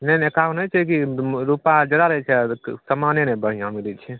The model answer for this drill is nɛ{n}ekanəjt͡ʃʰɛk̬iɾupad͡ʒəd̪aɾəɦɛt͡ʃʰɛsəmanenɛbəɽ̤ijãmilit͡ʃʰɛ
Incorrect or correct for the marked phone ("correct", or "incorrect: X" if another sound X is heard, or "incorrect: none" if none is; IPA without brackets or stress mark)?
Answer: correct